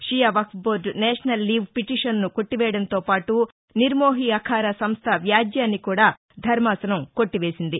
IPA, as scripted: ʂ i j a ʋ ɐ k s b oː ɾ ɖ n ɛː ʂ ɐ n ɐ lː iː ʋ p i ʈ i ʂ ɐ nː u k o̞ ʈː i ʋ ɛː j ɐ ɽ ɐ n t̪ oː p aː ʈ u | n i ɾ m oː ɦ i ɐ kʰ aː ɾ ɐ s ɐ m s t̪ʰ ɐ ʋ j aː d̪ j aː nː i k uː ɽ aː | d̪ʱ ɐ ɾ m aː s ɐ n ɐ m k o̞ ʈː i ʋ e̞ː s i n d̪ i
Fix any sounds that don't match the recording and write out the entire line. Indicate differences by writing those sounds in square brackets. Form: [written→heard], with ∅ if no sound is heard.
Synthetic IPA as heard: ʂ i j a ʋ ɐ k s b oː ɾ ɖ n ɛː ʂ ɐ n ɐ lː iː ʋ p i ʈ i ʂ ɐ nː u k o̞ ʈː i ʋ ɛː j ɐ ɽ ɐ n t̪ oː p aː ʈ u | n i ɾ m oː ɦ i ɐ kʰ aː ɾ ɐ s ɐ m s t̪ʰ ɐ ʋ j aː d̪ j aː nː i k uː ɽ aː | d̪ʱ ɐ ɾ m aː s ɐ n ɐ m k o̞ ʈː i ʋ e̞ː s i n d̪ i